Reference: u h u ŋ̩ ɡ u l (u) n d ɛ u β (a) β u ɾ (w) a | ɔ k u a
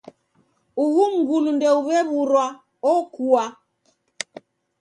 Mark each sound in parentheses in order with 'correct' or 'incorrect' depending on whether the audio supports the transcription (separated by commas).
correct, incorrect, correct